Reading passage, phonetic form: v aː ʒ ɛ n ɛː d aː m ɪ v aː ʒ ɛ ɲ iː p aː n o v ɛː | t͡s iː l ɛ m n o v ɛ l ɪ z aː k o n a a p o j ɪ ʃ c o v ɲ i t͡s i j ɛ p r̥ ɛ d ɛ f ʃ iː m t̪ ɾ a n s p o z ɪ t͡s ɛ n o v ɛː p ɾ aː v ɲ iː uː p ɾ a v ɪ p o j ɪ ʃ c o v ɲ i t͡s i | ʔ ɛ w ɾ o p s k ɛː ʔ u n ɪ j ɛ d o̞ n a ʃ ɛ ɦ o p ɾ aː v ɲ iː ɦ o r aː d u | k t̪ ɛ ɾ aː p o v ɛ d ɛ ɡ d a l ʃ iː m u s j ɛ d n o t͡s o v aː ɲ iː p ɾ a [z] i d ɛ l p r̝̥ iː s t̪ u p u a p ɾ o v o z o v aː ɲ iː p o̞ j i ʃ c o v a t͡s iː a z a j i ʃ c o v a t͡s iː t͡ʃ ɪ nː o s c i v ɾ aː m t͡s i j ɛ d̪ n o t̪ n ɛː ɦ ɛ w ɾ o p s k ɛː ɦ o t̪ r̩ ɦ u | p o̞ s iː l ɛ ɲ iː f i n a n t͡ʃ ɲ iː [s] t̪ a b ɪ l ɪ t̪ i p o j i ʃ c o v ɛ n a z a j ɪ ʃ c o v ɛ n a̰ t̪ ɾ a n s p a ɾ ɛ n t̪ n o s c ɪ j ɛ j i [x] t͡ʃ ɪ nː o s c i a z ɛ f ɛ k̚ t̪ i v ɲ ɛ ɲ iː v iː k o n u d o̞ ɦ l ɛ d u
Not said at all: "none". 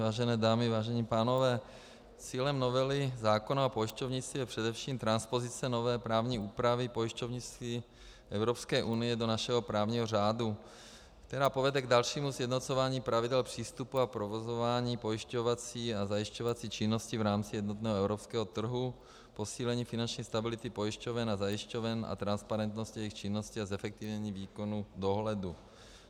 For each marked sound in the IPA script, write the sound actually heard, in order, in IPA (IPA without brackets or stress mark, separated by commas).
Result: v, s, x